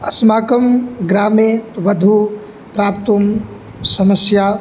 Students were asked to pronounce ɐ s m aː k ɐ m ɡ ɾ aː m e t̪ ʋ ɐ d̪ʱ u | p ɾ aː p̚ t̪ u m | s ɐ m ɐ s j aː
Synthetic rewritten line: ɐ s m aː k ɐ m ɡ ɾ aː m e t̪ ʋ ɐ d̪ʱ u | p ɾ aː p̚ t̪ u m | s ɐ m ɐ s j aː